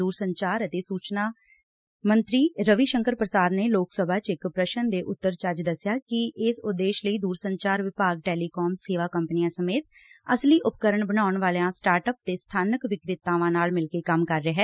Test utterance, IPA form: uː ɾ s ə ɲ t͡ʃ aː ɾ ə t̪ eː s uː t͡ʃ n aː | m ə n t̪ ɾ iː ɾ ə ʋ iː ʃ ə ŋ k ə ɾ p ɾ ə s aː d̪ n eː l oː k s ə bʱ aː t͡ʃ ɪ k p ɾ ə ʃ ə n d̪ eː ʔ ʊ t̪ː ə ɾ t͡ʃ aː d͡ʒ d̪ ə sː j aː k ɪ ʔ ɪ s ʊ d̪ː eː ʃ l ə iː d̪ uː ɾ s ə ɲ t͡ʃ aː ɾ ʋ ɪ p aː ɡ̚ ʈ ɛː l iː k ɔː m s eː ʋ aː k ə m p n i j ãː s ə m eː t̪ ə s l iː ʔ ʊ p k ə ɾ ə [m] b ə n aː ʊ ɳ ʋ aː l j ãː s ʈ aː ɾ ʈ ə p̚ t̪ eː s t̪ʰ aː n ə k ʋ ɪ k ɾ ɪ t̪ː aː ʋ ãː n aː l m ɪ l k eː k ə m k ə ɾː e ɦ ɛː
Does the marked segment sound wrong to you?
yes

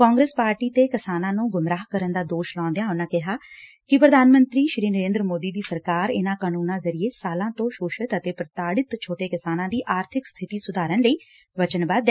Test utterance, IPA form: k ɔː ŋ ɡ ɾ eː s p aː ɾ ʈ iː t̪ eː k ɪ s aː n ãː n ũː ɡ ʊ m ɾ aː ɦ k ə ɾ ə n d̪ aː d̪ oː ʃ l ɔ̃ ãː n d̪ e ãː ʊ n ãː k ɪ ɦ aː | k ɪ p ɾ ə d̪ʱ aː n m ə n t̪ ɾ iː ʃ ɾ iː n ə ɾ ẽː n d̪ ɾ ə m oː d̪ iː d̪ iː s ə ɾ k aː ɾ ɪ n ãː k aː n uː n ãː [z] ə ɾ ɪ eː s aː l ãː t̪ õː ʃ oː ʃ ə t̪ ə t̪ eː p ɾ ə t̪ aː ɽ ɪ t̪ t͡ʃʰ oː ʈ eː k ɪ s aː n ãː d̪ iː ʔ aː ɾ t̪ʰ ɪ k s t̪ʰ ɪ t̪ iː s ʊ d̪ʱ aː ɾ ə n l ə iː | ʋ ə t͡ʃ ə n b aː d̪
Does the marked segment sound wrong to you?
no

